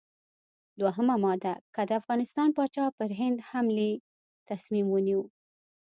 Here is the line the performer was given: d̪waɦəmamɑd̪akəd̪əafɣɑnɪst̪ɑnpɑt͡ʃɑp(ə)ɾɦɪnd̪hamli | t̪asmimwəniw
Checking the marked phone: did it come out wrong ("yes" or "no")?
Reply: no